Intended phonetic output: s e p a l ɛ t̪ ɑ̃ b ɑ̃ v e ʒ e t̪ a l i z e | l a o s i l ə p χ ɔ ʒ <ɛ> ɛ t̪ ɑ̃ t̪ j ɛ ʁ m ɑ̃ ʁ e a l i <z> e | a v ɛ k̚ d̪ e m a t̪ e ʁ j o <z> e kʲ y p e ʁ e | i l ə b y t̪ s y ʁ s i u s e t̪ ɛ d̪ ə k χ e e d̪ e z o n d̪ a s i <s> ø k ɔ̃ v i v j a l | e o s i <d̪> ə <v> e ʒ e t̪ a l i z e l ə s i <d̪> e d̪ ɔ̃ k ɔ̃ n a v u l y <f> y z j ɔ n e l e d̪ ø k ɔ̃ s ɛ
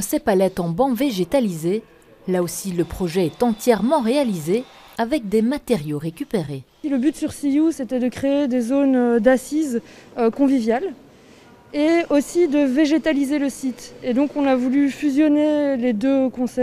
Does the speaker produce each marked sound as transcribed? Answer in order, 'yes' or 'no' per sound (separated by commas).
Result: yes, yes, no, no, yes, yes, no, yes